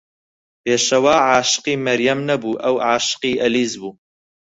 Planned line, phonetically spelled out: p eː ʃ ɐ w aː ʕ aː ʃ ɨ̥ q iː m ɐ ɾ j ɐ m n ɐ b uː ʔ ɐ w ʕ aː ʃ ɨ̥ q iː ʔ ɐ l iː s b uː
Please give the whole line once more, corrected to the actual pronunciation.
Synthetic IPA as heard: p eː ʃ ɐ w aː ʕ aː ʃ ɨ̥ q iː m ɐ ɾ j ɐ m n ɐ b uː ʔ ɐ w ʕ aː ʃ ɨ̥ q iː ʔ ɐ l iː z b uː